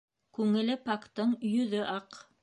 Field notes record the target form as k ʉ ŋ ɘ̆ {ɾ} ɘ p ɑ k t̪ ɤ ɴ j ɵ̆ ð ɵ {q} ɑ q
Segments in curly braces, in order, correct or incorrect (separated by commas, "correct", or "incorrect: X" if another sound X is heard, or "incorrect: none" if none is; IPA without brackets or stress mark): incorrect: l, incorrect: ʔ